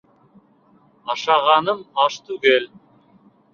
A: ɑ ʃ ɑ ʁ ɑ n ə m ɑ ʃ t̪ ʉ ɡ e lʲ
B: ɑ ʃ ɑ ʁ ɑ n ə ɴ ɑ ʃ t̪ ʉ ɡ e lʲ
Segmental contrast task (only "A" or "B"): A